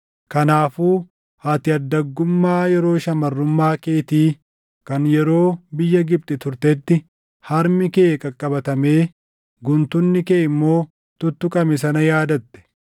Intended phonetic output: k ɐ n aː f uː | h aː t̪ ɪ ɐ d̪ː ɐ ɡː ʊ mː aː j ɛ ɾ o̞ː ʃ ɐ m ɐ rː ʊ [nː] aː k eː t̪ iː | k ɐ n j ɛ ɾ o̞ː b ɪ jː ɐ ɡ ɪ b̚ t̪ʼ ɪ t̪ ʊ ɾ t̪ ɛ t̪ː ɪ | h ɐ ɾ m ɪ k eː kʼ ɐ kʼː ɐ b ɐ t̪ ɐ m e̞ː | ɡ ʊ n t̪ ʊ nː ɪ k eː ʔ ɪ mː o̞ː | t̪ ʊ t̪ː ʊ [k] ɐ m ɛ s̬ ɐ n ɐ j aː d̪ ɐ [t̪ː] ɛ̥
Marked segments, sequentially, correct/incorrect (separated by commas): incorrect, incorrect, correct